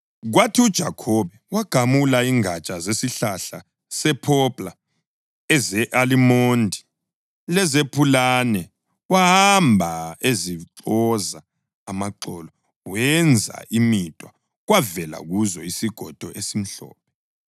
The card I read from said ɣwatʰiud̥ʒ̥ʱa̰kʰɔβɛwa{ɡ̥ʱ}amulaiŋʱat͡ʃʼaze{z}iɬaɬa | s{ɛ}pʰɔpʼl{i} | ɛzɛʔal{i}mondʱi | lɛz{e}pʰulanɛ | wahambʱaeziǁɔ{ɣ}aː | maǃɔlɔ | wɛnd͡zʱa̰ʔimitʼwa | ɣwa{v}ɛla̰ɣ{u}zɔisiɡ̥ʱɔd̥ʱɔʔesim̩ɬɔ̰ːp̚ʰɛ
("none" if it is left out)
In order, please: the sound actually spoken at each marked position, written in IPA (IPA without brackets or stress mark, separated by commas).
ɡ̥ʱ, s, ɛ, a, i, e, z, v, u